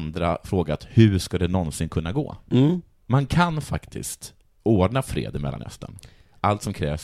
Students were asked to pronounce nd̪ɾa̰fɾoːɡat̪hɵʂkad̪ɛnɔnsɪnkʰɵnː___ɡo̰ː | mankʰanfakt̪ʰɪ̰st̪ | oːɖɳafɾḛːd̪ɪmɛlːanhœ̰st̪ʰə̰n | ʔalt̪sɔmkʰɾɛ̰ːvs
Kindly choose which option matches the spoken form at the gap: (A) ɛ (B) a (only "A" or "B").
B